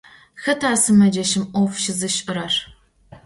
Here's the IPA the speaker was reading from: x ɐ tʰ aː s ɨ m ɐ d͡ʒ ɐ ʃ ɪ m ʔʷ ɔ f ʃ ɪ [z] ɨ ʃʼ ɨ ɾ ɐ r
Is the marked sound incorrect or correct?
correct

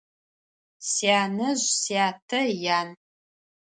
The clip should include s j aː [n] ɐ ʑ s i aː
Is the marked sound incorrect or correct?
correct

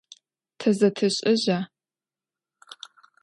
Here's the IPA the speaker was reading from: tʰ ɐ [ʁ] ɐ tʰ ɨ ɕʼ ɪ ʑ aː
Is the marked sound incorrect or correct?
incorrect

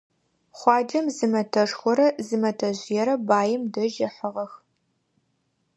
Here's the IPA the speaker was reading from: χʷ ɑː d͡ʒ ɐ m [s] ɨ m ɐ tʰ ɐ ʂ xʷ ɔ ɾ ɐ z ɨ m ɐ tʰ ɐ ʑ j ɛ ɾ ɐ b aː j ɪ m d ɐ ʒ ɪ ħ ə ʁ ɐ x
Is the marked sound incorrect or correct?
incorrect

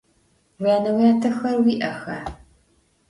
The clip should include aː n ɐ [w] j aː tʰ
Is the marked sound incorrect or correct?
correct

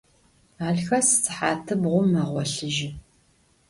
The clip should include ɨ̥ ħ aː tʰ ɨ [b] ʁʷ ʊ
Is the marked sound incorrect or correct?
correct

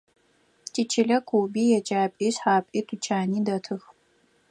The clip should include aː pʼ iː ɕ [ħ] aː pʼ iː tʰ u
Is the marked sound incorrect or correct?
correct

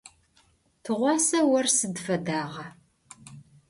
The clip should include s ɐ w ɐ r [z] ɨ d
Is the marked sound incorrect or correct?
incorrect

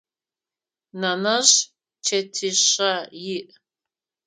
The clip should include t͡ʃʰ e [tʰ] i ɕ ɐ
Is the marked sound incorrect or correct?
correct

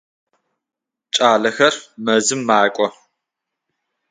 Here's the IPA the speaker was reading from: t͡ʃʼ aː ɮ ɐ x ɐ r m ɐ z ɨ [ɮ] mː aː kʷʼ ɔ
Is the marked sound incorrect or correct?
incorrect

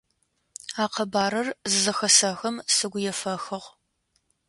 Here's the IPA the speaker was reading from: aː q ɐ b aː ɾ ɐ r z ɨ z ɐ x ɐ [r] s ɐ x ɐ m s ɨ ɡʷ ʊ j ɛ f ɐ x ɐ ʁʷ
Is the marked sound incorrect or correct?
incorrect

